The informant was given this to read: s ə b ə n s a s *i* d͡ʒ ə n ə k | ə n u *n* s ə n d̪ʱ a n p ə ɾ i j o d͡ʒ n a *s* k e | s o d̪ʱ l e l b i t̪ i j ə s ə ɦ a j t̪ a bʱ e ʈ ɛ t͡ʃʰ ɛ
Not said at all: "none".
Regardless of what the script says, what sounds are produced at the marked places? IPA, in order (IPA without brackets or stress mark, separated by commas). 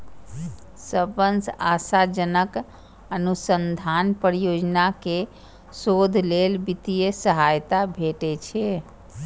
a, none, none